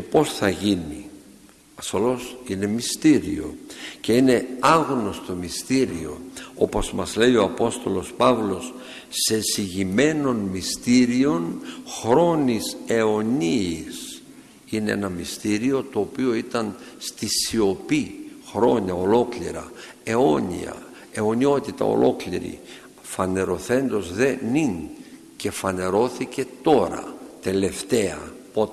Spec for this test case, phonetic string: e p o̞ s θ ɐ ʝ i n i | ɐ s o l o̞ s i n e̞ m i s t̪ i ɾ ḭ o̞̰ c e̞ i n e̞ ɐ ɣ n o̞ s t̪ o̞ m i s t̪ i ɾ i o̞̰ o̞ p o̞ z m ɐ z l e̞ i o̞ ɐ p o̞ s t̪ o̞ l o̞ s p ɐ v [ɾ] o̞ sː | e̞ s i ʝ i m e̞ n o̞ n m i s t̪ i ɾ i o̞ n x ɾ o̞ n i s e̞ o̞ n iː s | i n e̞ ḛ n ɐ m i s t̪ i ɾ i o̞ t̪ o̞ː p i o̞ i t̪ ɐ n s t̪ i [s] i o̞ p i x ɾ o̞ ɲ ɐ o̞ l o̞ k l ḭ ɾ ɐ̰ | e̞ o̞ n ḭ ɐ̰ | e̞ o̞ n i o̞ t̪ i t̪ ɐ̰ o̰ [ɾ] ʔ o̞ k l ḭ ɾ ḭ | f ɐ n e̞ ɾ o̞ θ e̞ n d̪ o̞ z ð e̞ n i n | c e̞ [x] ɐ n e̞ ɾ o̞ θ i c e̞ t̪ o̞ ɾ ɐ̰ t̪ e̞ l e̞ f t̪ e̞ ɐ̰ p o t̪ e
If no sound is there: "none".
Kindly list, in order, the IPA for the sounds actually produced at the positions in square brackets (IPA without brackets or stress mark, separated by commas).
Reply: l, s, l, f